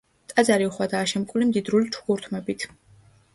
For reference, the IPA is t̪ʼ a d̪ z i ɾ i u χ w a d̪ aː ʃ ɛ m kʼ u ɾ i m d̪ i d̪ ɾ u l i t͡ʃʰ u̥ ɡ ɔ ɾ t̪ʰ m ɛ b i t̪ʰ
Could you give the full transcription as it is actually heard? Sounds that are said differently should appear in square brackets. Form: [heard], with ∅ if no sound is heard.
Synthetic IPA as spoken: t̪ʼ a d̪ z [a] ɾ i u χ w a d̪ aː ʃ ɛ m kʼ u [l] i m d̪ i d̪ ɾ u l i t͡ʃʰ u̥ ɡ [u] ɾ t̪ʰ m ɛ b i t̪ʰ